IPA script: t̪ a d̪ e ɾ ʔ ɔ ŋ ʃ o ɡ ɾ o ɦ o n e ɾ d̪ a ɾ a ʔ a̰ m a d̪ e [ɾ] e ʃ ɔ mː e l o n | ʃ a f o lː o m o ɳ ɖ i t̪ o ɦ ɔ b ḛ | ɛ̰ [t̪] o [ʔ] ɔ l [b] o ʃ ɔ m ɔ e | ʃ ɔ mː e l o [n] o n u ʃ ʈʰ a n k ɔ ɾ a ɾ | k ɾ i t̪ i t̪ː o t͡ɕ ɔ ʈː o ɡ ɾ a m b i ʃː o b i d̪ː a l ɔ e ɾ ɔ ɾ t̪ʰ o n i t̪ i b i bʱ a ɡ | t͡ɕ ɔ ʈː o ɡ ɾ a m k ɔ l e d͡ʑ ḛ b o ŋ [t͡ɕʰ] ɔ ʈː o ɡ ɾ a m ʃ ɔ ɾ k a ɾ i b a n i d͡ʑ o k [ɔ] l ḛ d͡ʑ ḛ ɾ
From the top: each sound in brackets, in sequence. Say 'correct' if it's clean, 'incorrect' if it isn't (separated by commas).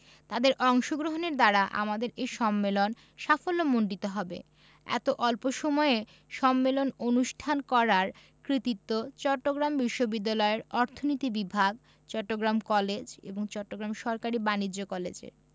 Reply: correct, correct, correct, incorrect, correct, incorrect, correct